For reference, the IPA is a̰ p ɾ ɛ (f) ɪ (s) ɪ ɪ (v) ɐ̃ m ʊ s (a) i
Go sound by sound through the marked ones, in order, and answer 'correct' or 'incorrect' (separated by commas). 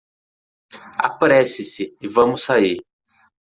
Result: incorrect, correct, correct, correct